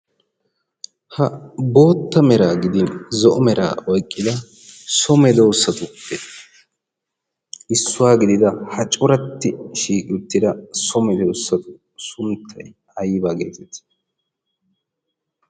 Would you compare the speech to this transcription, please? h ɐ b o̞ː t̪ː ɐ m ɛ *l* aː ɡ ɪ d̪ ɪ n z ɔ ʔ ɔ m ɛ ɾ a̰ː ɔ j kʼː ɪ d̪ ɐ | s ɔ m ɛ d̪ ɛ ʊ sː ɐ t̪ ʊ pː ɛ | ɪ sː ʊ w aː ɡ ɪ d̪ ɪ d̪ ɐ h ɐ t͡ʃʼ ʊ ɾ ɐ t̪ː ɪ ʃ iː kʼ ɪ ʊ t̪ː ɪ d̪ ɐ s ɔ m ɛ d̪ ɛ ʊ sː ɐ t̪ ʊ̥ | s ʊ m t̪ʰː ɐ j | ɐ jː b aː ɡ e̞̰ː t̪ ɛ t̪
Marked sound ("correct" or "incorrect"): incorrect